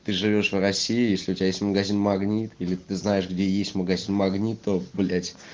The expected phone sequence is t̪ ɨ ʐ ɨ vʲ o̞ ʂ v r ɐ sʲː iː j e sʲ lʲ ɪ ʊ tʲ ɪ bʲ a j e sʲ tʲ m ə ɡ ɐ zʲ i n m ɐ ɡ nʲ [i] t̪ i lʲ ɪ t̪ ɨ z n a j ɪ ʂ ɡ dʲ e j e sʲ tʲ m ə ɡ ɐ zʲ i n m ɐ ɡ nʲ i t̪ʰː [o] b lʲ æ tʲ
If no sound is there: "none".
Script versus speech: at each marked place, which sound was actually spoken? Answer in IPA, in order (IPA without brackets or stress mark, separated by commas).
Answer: i, o